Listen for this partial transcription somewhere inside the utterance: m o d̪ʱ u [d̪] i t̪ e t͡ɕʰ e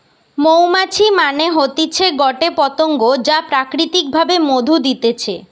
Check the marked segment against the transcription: correct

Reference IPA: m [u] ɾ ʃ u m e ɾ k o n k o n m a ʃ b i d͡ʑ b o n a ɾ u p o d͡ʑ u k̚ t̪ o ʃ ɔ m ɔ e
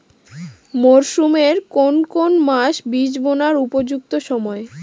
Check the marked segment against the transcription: incorrect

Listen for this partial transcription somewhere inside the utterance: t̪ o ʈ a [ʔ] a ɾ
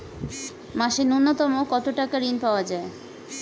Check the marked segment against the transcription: incorrect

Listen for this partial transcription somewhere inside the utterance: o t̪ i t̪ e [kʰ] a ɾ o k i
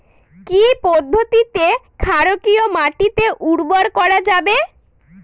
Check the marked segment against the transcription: correct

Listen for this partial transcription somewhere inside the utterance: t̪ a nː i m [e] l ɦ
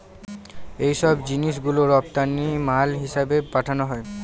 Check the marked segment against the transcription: incorrect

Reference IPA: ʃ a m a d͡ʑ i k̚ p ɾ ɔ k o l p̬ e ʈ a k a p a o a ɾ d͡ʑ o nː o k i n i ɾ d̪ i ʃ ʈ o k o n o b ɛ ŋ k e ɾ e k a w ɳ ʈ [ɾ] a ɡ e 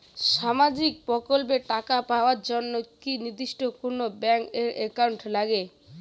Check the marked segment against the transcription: incorrect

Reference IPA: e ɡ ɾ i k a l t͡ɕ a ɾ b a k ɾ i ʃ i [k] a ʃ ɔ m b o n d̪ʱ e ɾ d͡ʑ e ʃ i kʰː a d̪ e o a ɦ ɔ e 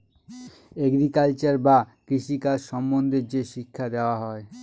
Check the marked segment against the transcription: correct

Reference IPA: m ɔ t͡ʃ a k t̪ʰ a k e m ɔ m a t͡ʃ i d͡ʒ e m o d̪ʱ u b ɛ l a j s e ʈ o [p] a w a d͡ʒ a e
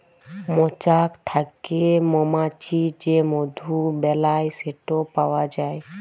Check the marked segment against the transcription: correct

